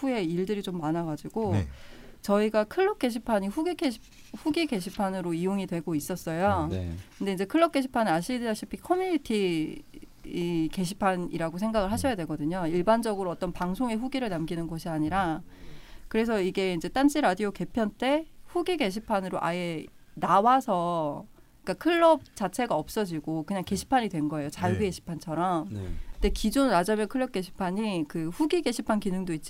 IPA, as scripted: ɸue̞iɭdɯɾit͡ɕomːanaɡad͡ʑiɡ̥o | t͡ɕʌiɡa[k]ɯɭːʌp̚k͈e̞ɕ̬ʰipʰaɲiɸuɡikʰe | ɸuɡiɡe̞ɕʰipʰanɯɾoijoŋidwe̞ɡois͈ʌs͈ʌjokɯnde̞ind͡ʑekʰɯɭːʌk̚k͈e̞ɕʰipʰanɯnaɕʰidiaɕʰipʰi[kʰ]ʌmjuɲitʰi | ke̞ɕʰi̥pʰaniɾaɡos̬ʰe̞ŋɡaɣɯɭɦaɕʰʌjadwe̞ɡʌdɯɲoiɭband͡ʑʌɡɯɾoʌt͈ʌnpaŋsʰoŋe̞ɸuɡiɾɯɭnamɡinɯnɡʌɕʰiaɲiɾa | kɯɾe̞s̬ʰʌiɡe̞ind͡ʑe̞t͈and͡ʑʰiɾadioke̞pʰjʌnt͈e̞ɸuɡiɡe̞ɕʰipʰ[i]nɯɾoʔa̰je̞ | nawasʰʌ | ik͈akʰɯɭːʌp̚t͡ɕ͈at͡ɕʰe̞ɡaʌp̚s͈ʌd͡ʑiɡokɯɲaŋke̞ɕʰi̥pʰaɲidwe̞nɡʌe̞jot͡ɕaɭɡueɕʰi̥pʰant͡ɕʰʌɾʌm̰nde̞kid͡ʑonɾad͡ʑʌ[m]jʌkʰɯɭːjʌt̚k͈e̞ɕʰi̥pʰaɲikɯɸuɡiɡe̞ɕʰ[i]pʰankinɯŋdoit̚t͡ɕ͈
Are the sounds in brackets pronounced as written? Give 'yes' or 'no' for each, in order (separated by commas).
no, yes, no, yes, yes